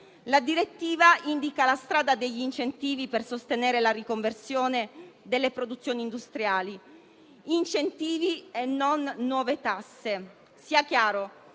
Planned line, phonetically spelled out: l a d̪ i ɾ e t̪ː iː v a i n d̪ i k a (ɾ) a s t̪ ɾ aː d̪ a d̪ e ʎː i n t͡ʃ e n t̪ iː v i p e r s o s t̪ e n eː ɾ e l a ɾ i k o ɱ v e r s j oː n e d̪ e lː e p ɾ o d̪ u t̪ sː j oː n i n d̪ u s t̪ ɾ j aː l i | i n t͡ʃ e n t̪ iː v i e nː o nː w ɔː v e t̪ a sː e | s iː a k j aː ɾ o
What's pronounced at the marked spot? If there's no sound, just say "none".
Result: l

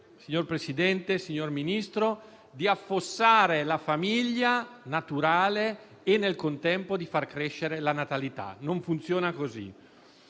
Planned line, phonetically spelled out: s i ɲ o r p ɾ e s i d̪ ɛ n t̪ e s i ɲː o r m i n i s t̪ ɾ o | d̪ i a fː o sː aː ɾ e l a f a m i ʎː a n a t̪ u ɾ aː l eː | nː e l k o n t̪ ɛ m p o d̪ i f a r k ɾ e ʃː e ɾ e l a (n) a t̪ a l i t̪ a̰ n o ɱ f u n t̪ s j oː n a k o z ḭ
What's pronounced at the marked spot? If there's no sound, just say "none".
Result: n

